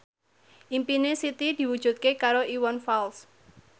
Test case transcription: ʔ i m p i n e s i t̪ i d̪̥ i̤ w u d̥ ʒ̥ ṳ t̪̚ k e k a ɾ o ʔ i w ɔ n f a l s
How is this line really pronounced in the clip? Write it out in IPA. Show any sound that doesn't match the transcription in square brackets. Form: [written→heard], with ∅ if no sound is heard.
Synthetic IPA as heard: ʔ i m p i n e s i t̪ i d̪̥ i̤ w u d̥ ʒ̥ ṳ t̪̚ k e k a ɾ o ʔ i w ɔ n f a l s